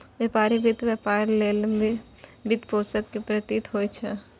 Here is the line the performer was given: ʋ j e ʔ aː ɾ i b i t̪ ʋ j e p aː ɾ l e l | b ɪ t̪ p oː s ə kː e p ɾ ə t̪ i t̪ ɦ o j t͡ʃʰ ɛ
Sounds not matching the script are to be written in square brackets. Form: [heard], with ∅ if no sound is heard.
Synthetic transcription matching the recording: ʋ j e [p] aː ɾ i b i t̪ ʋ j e p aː ɾ l e l | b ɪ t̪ p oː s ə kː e p ɾ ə t̪ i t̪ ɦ o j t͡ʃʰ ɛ